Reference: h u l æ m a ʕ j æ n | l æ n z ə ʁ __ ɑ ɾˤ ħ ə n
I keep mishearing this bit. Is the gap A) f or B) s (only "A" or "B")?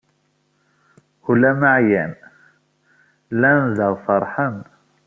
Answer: A